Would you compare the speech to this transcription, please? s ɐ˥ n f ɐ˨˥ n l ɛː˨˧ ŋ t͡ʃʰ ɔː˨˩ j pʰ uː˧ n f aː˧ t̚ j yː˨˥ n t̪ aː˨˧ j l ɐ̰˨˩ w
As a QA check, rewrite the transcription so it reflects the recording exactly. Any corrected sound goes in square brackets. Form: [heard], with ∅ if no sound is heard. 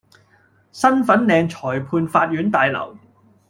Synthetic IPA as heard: s ɐ˥ n f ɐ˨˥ n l ɛː˨˧ ŋ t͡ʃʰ ɔː˨˩ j pʰ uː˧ n f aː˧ t̚ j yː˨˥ n t̪ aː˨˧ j l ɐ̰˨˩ w